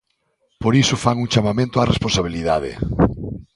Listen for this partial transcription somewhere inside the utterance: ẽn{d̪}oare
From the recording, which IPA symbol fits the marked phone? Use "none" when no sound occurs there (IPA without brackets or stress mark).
t̪